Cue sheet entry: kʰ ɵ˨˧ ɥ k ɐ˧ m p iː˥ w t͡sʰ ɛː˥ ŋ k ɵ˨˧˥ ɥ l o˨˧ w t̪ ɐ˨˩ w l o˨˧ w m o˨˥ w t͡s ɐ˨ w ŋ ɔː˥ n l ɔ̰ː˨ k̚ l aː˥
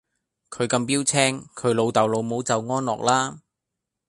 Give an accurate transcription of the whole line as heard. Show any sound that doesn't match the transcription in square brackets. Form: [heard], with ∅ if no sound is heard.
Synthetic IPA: kʰ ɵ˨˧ ɥ k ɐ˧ m p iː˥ w t͡sʰ ɛː˥ ŋ [kʰ] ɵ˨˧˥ ɥ l o˨˧ w t̪ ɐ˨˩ w l o˨˧ w m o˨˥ w t͡s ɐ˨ w ŋ ɔː˥ n l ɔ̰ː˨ k̚ l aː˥